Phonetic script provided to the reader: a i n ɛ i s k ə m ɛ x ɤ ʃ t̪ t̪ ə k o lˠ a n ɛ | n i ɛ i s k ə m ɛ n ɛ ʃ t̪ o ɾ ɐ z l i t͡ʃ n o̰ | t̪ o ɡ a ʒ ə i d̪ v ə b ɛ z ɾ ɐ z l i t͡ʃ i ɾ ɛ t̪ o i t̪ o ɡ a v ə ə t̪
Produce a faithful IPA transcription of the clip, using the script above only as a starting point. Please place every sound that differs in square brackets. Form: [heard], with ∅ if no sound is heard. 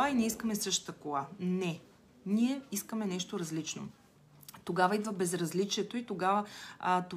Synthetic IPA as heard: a i n ɛ i s k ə m ɛ [s] ɤ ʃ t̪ t̪ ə k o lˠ a n ɛ | n i ɛ i s k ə m ɛ n ɛ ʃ t̪ o ɾ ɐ z l i t͡ʃ n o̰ | t̪ o ɡ a [v] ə i d̪ v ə b ɛ z ɾ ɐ z l i t͡ʃ i [∅] ɛ t̪ o i t̪ o ɡ a v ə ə t̪